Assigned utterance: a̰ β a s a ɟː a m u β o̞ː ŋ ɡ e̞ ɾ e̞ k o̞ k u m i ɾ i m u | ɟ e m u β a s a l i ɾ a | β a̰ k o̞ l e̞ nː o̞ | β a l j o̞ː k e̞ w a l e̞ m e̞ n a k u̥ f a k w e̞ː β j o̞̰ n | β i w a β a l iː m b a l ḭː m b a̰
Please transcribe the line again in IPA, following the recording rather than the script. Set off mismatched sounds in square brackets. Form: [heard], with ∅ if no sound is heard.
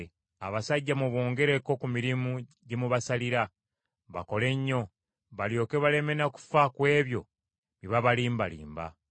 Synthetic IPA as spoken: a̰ β a s a ɟː a m u β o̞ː ŋ ɡ e̞ ɾ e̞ k o̞ k u m i ɾ i m u | ɟ e m u β a s a l i ɾ a | β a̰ k o̞ l e̞ [ɲː] o̞ | β a l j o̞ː k e̞ [β] a l e̞ m e̞ n a k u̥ f a k w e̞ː β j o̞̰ [∅] | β i [β] a β a l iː m b a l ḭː m b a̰